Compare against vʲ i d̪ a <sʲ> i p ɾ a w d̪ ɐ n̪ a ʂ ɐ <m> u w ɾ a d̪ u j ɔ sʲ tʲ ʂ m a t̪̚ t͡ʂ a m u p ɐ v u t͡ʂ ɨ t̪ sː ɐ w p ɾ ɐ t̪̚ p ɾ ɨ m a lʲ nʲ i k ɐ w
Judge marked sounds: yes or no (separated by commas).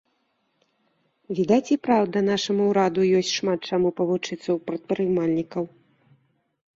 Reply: no, yes